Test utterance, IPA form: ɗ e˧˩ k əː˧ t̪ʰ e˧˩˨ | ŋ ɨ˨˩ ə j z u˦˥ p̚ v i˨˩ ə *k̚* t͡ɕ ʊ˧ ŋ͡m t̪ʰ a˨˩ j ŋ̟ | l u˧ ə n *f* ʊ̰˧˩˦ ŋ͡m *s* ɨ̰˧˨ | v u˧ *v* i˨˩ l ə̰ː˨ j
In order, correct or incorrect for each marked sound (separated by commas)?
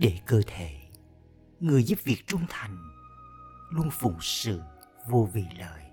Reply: correct, correct, correct, correct